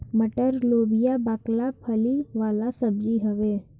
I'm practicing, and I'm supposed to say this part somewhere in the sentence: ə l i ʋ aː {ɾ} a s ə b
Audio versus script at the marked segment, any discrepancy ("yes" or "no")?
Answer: yes